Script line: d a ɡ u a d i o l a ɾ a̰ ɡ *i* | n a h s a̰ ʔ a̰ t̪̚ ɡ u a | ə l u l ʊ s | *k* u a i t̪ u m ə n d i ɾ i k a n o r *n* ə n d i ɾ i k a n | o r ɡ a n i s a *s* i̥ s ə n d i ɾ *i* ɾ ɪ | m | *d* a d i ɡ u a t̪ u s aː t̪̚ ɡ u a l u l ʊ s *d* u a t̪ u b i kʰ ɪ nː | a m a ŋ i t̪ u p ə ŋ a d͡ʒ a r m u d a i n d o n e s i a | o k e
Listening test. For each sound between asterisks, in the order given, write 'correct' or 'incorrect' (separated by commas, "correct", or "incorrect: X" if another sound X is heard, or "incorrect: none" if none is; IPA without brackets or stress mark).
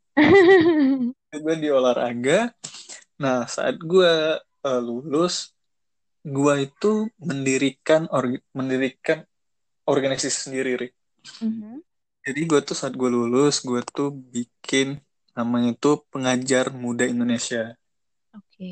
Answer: incorrect: a, incorrect: ɡ, incorrect: m, correct, correct, incorrect: d͡ʒ, incorrect: ɡ